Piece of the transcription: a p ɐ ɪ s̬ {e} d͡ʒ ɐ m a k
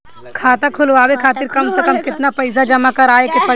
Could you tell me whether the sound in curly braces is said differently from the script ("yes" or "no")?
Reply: yes